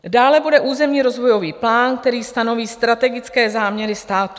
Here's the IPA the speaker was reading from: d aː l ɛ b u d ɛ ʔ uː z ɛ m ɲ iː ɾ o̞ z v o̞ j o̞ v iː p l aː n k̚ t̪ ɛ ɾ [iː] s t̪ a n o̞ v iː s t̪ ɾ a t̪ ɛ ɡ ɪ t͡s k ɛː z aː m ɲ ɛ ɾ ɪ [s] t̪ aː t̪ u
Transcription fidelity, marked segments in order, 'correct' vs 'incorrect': correct, correct

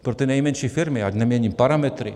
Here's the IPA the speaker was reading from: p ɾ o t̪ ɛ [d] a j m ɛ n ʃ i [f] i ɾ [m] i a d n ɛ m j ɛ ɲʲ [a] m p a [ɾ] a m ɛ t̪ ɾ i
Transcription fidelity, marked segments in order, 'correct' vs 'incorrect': incorrect: n, correct, correct, incorrect: i, correct

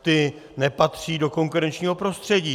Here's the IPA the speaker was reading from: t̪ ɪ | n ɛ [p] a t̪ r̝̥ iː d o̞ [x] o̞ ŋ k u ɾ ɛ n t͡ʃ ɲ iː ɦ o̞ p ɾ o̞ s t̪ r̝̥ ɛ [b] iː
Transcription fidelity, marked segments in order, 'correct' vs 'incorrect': correct, incorrect: k, incorrect: ɟ

